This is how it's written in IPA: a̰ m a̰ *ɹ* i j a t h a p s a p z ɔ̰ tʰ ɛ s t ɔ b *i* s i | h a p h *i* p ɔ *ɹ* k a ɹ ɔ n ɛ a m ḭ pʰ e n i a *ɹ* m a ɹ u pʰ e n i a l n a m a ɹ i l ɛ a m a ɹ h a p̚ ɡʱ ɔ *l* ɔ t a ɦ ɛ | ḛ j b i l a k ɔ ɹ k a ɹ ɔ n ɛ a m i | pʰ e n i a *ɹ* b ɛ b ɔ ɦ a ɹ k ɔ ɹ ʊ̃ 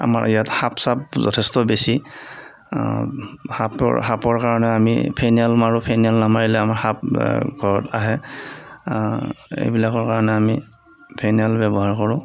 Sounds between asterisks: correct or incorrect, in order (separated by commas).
correct, incorrect, incorrect, correct, incorrect, incorrect, incorrect